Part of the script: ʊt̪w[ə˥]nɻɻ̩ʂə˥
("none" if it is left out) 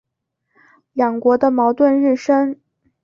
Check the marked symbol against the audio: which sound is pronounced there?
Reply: ə˥˧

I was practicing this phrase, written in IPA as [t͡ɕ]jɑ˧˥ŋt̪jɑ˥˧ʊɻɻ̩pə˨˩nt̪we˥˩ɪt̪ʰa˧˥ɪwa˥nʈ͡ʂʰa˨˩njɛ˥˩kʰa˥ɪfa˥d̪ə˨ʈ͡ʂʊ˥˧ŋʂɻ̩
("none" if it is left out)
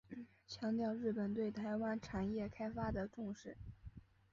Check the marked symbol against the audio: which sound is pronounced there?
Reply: t͡ɕʰ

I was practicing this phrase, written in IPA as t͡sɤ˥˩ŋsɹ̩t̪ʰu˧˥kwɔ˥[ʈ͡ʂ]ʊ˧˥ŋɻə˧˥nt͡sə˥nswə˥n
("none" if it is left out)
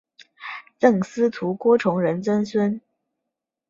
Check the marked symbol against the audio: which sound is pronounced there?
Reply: ʈ͡ʂʰ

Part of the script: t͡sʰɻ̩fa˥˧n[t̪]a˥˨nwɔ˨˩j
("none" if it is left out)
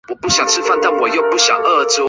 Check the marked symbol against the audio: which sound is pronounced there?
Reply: t̪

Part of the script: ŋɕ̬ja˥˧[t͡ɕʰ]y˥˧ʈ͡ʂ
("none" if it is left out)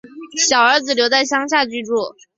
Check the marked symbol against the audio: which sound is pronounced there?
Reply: t͡ɕ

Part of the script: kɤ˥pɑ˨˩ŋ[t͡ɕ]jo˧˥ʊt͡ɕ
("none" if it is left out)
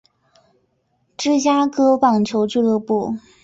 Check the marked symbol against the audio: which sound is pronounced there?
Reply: t͡ɕʰ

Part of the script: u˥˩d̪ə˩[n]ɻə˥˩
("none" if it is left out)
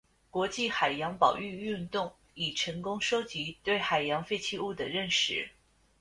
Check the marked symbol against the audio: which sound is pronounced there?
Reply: none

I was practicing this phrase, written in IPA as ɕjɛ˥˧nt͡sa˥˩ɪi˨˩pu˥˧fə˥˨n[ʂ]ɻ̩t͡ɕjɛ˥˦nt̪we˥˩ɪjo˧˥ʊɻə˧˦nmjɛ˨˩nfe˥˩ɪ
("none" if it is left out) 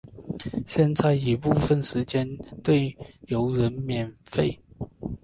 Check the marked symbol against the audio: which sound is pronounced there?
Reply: ʂ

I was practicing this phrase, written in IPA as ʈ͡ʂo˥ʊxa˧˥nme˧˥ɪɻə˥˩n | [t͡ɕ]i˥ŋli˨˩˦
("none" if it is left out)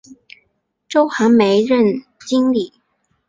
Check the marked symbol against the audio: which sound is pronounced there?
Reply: t͡ɕ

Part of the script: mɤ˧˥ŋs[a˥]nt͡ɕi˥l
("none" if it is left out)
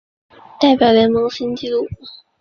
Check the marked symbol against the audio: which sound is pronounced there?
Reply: i˥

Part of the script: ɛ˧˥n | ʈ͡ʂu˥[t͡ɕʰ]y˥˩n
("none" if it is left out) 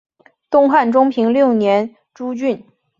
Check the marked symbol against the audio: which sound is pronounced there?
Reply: t͡ɕ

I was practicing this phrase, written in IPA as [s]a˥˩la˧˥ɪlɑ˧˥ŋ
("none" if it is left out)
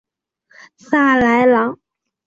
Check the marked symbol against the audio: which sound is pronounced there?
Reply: s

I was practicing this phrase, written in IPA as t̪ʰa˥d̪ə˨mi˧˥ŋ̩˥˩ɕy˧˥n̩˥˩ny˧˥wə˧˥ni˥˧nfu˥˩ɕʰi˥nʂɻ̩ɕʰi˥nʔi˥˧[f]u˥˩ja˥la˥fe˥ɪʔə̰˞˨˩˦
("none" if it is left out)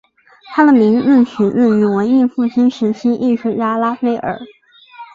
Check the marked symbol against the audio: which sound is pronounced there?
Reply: ʂ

